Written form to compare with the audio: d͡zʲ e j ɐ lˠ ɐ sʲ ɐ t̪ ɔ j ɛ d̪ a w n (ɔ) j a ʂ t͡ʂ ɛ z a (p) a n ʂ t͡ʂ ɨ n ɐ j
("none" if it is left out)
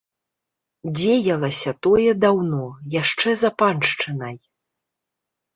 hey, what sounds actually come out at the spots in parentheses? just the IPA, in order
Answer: ɔ, p

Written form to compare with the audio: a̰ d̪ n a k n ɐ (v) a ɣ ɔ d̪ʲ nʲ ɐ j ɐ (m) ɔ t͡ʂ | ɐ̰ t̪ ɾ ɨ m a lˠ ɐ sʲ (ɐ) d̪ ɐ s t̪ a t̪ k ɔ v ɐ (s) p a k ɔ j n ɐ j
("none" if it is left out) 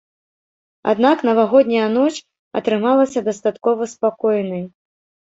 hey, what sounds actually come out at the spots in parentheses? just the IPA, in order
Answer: v, n, ɐ, s

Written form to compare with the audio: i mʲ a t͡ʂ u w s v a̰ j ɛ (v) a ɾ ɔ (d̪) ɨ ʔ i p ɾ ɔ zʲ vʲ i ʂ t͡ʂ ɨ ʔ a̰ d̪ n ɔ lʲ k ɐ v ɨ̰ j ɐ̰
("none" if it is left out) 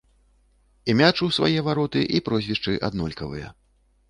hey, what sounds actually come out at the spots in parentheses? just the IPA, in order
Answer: v, t̪

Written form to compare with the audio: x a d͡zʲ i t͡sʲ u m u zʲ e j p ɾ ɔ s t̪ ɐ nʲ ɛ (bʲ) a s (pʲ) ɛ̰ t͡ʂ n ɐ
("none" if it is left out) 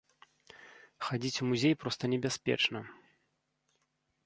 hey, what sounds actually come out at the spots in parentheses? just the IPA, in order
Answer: bʲ, pʲ

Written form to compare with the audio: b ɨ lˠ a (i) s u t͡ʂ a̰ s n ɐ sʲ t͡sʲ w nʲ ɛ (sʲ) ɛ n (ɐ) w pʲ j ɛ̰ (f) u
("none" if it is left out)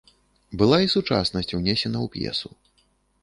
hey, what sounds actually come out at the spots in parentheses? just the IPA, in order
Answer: i, sʲ, ɐ, s

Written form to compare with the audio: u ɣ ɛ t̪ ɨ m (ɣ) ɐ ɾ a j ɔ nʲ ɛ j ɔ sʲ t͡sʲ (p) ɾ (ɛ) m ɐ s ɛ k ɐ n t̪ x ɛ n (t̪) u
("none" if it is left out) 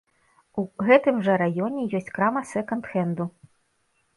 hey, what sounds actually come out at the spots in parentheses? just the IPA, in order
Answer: ʐ, k, a, d̪

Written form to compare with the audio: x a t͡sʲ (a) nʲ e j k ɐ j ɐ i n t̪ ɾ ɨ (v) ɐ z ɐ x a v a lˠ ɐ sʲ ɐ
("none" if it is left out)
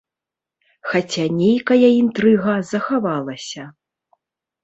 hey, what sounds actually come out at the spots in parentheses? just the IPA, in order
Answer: a, ɣ

